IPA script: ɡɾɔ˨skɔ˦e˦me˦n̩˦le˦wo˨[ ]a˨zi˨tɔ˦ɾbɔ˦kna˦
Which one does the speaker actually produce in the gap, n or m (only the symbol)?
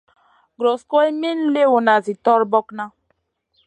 n